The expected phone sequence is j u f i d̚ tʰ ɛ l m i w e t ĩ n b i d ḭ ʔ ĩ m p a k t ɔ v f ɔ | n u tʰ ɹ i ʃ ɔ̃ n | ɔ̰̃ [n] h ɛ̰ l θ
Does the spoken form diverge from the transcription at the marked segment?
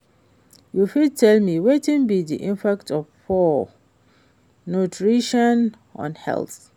no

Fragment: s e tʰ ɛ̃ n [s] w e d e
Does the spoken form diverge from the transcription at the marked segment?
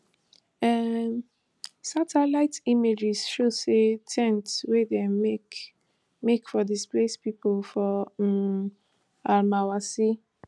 yes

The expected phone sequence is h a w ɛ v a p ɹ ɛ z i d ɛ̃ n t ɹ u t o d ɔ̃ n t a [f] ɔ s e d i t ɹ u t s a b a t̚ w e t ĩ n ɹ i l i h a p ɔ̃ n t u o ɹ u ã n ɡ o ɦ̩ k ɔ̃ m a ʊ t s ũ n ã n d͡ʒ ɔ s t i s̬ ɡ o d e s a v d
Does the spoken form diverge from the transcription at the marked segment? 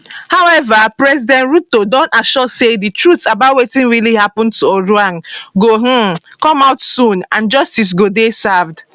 yes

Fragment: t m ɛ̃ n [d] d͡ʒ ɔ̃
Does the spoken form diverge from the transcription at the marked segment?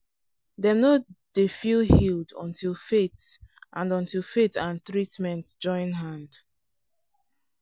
yes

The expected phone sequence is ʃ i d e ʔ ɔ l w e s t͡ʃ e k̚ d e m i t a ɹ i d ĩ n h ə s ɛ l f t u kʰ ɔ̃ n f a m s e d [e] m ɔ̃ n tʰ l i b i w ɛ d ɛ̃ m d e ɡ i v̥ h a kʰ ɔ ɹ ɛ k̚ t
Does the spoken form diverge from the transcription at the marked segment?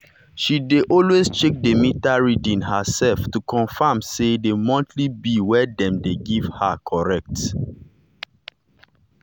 no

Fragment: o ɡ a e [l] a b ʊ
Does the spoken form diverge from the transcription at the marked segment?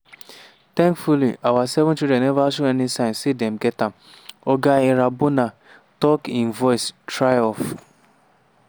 yes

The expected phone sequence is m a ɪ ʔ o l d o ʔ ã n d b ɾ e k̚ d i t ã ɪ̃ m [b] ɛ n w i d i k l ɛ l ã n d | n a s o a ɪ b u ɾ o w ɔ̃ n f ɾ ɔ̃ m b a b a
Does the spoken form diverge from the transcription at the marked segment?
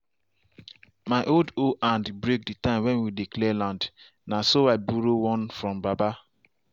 yes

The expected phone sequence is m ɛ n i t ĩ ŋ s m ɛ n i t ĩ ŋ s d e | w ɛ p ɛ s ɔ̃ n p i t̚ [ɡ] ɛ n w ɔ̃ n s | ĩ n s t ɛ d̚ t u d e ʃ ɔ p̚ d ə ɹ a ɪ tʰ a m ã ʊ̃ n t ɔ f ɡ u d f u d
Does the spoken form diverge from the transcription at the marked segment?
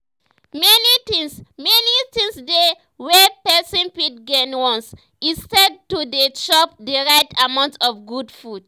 no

